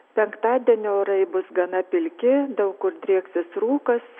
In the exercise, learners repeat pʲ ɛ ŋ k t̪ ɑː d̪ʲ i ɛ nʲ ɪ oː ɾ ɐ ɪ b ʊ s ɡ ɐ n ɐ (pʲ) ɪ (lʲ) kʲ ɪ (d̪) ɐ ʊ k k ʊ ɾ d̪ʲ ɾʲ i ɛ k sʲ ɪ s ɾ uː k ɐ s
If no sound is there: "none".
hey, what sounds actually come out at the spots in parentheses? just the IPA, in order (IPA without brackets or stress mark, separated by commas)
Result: pʲ, lʲ, d̪